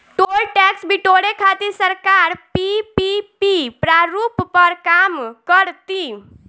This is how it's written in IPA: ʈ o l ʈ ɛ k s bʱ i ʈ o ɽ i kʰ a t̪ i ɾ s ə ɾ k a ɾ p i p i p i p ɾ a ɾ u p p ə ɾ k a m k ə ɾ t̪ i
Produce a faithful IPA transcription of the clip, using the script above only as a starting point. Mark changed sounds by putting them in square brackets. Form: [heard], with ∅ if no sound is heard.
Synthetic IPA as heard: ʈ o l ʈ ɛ k s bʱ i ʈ o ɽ [e] kʰ a t̪ i ɾ s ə ɾ k a ɾ p i p i p i p ɾ a ɾ u p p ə ɾ k a m k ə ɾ t̪ i